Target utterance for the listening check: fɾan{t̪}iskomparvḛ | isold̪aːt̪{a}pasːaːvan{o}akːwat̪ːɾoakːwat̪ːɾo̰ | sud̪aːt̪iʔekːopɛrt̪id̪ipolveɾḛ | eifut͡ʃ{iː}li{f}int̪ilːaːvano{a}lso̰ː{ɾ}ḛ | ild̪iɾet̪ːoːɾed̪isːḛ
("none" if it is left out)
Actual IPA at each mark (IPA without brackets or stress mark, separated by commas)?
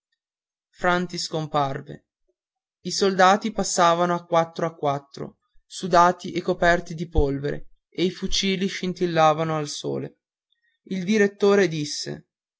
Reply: t̪, i, o, iː, ʃ, a, l